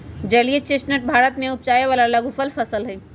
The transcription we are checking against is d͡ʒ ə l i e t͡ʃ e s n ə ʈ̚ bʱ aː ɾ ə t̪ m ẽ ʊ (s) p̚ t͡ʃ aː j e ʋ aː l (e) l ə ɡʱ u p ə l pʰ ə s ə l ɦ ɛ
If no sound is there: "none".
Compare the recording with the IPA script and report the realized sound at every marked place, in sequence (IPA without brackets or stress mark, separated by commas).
none, a